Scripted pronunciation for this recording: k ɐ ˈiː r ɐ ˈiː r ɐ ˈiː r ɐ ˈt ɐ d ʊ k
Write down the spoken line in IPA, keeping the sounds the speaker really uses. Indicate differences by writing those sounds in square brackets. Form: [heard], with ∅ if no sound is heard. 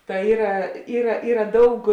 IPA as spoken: [t] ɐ ˈiː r ɐ ˈiː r ɐ ˈiː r ɐ [ˈd] ɐ [∅] ʊ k